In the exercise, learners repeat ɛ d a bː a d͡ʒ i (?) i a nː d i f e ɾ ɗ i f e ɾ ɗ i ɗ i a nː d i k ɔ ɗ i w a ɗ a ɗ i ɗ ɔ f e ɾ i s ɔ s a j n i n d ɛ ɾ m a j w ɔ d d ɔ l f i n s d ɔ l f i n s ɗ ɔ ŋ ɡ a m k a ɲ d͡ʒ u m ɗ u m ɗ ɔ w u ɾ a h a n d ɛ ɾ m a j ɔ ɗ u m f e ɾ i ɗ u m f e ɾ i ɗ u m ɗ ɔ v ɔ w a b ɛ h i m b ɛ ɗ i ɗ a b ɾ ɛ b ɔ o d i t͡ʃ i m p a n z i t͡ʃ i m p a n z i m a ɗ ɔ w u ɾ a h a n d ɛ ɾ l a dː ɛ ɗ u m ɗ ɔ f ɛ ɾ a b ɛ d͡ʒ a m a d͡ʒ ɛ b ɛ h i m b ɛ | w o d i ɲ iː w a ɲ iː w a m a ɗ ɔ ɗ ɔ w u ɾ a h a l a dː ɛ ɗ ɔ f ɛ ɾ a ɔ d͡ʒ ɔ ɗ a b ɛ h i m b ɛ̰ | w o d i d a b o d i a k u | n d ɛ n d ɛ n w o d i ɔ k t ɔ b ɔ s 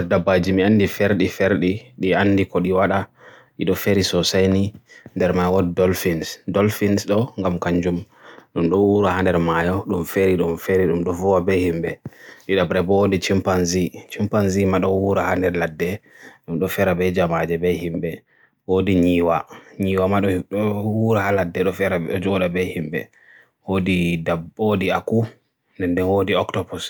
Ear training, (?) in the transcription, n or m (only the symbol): m